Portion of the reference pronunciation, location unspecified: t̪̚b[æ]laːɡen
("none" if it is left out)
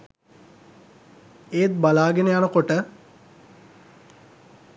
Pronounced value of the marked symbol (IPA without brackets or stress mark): a